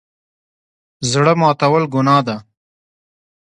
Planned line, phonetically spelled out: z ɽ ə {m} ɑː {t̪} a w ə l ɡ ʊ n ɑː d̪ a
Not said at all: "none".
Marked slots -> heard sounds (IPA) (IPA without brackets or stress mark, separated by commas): m, t̪